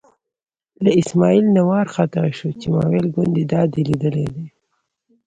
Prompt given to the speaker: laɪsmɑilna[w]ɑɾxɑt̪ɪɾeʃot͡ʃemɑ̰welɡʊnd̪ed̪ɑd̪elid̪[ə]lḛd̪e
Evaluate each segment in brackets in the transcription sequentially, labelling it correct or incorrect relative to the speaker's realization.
correct, correct

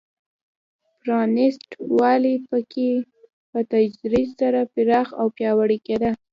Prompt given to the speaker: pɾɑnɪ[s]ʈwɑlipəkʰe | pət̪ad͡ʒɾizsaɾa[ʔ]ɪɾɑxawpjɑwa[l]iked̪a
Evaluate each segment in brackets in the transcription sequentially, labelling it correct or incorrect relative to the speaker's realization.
correct, incorrect, incorrect

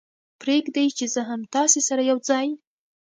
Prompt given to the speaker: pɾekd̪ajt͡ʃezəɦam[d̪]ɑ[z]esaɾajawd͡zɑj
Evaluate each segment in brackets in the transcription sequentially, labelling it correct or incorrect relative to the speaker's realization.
incorrect, incorrect

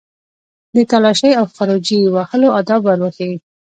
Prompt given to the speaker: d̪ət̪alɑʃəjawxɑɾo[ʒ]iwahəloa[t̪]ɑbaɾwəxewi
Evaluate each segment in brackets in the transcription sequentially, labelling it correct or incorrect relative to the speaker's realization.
incorrect, incorrect

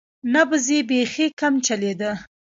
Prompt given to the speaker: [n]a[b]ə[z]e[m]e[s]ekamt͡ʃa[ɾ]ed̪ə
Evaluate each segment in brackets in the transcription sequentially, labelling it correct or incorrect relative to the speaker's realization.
correct, correct, correct, incorrect, incorrect, incorrect

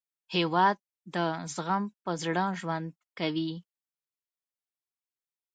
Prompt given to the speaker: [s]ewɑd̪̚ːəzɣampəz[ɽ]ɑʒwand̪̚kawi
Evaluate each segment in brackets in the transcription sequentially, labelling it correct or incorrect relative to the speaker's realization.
incorrect, correct

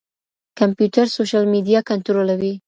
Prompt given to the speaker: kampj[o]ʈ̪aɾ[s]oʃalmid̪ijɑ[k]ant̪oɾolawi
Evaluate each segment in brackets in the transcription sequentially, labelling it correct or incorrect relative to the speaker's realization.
incorrect, correct, correct

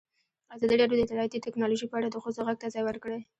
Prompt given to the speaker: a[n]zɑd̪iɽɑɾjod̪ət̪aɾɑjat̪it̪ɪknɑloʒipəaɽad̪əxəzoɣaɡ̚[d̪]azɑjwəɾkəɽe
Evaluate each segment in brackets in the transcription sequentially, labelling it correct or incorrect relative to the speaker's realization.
incorrect, incorrect

